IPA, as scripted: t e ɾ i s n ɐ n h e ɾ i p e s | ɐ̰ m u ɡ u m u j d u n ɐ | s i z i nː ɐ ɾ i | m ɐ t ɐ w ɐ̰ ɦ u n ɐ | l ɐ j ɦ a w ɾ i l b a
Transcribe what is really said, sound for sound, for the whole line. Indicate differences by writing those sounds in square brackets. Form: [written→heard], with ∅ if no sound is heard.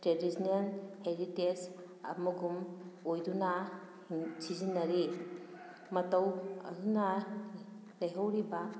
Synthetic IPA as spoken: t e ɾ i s n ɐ n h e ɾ i [p→t] e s | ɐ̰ m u ɡ u m [u→o] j d u n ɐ | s i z i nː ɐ ɾ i | m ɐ t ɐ w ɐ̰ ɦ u n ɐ | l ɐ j ɦ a w ɾ i [l→∅] b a